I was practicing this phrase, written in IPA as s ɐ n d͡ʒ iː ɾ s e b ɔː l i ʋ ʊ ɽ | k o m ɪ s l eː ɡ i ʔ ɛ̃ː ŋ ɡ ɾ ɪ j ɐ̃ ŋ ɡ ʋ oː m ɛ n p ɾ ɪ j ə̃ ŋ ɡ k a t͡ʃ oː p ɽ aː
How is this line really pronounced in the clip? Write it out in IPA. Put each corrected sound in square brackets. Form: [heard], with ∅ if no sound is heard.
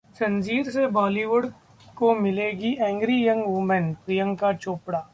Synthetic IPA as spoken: s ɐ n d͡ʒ iː ɾ s e b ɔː l i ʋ ʊ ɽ | k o m ɪ [∅] l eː ɡ i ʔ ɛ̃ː ŋ ɡ ɾ [i] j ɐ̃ ŋ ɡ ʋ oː m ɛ n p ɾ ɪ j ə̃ ŋ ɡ k a t͡ʃ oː p ɽ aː